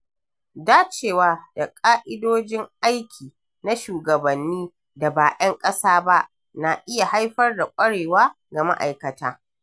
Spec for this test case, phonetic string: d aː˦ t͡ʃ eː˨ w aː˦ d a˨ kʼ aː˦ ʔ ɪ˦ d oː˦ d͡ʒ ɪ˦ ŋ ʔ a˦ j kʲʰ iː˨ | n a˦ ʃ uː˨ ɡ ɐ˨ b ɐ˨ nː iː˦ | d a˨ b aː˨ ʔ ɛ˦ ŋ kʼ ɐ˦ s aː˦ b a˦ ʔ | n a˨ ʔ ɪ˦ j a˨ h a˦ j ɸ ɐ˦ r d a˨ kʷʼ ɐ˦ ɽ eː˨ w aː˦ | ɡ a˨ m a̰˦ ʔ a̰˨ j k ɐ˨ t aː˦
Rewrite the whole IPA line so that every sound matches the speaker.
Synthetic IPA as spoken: d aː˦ t͡ʃ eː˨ w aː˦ d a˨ kʼ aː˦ ʔ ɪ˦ d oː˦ d͡ʒ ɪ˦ ŋ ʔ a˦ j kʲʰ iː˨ | n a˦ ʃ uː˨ ɡ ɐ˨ b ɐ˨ nː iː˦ | d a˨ b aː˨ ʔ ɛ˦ ŋ kʼ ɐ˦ s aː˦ b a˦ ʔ | n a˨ ʔ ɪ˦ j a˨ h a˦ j ɸ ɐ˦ r d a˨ kʷʼ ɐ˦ ɽ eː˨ w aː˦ | ɡ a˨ m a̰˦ ʔ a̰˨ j k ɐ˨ t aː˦